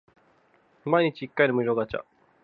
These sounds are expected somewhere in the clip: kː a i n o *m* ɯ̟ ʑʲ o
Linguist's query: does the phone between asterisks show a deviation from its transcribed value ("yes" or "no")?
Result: no